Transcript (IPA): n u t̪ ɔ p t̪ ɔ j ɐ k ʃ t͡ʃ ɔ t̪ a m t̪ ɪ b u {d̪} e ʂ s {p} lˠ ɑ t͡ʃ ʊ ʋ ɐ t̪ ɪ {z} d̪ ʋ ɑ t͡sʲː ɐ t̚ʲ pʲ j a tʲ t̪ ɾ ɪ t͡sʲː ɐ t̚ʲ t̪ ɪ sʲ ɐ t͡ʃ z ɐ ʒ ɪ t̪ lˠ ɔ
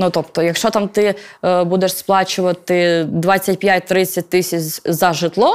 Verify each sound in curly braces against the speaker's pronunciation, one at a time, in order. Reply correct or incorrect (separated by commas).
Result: correct, correct, incorrect